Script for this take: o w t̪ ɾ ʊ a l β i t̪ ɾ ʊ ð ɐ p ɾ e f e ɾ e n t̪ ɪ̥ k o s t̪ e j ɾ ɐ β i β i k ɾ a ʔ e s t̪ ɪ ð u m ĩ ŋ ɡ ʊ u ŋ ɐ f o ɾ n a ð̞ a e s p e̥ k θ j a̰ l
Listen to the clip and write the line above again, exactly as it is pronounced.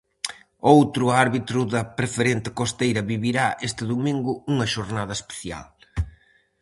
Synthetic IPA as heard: o w t̪ ɾ ʊ a ɾ β i t̪ ɾ ʊ ð ɐ p ɾ e f e ɾ e n t̪ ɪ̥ k o s t̪ e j ɾ ɐ β i β i ɾ a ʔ e s t̪ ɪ ð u m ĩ ŋ ɡ ʊ u ŋ ɐ ʃ o ɾ n a ð̞ ɐ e s p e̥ θ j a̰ l